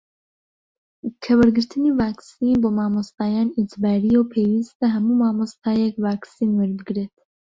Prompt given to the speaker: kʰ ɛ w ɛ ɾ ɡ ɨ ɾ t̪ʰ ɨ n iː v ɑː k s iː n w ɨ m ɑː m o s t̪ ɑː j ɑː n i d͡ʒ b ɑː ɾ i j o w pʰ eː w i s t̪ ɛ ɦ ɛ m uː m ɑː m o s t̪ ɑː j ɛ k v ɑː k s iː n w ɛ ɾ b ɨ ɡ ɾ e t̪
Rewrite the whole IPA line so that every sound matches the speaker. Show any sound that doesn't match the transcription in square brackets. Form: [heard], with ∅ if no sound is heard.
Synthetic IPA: kʰ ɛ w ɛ ɾ ɡ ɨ ɾ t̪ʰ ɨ n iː v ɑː k s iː n [b] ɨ m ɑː m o s t̪ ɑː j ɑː n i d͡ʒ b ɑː ɾ i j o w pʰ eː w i s t̪ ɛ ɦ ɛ m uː m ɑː m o s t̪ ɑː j ɛ k v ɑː k s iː n w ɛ ɾ b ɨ ɡ ɾ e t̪